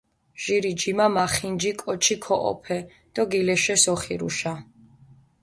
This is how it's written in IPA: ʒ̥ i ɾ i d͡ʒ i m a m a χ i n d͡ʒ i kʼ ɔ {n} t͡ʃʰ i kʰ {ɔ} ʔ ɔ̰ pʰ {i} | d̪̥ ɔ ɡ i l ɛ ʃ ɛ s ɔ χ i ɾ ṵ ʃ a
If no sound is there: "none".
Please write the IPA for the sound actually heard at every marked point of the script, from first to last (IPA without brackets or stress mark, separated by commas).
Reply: none, ɔ, ɛ